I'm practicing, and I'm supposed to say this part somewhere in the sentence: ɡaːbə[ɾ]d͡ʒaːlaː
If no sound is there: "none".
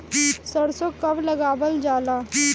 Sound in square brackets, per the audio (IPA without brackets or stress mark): l